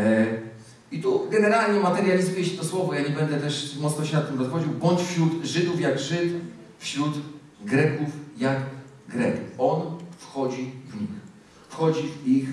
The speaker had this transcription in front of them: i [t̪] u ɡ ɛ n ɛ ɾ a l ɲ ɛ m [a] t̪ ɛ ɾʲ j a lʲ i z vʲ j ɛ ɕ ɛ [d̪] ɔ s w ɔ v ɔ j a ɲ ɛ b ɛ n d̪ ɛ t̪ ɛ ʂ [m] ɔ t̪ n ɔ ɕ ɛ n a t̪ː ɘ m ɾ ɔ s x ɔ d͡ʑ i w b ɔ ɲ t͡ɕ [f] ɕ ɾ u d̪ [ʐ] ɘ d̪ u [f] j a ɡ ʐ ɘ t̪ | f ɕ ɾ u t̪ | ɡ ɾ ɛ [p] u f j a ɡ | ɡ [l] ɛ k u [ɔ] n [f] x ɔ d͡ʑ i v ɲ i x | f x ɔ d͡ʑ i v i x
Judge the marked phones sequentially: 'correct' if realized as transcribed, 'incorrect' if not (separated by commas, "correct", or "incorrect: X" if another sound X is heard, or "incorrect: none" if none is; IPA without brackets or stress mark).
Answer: correct, correct, incorrect: t̪, correct, correct, correct, correct, incorrect: k, incorrect: ɾ, correct, correct